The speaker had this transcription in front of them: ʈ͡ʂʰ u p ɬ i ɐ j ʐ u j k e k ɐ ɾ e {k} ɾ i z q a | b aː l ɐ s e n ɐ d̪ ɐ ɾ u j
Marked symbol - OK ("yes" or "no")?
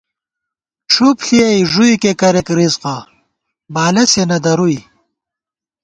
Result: yes